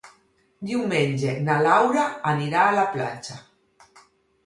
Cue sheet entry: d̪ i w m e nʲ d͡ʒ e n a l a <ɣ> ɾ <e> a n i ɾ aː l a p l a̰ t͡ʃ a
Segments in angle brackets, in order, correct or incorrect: incorrect, incorrect

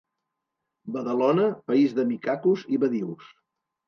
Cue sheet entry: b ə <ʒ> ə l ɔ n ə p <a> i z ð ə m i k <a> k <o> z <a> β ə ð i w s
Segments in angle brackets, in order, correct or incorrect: incorrect, incorrect, correct, incorrect, incorrect

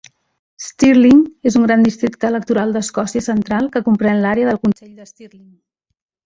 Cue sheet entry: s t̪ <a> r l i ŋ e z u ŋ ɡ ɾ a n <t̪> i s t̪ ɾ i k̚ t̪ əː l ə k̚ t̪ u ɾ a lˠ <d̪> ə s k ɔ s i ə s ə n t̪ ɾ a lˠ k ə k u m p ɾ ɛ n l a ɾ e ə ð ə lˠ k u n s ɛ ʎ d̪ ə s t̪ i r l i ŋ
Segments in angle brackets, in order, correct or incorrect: incorrect, incorrect, correct

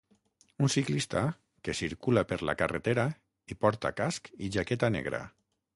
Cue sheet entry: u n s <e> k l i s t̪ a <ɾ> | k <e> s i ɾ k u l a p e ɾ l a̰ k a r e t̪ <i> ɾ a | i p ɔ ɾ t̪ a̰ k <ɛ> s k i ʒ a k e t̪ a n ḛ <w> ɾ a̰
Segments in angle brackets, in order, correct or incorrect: incorrect, incorrect, correct, incorrect, incorrect, incorrect

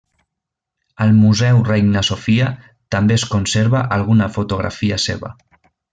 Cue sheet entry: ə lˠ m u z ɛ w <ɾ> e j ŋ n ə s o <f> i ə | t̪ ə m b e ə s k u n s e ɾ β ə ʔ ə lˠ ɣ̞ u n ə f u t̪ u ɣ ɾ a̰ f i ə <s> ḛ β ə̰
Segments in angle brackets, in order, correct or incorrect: incorrect, correct, correct

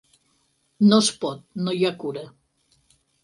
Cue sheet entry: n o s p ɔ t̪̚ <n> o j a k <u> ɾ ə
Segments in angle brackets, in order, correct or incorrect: correct, correct

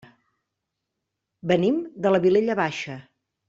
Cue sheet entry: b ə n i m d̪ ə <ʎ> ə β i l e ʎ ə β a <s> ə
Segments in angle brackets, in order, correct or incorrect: incorrect, incorrect

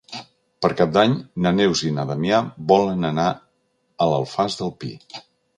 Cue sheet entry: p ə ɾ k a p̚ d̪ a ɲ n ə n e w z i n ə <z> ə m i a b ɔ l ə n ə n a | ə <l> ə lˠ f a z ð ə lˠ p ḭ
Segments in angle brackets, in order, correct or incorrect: incorrect, correct

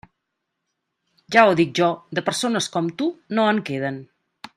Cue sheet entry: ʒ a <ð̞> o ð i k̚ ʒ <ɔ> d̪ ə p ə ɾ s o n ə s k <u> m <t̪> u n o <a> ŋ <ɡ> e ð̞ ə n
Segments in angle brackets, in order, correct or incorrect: incorrect, correct, incorrect, correct, incorrect, incorrect

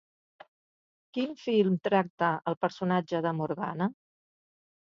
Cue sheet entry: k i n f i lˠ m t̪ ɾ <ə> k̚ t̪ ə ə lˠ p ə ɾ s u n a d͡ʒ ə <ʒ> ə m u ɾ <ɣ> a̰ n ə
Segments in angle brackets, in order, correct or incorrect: incorrect, incorrect, correct

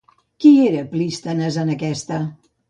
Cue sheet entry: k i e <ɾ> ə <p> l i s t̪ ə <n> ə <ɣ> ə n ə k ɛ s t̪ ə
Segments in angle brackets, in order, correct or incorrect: correct, correct, correct, incorrect

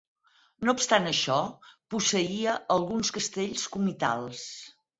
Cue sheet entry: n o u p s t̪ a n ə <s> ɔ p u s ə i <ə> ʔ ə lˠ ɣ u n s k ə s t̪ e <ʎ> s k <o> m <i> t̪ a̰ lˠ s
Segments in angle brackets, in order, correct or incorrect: incorrect, correct, correct, incorrect, correct

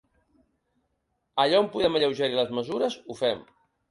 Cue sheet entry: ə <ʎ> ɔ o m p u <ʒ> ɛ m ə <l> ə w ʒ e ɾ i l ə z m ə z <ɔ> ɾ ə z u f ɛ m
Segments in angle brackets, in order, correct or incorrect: correct, incorrect, incorrect, incorrect

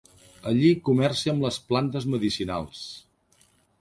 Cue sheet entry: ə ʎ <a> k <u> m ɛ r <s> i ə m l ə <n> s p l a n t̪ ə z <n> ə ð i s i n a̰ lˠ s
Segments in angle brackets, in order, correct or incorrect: incorrect, correct, correct, incorrect, incorrect

